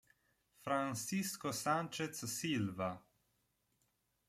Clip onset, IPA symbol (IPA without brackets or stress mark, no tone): f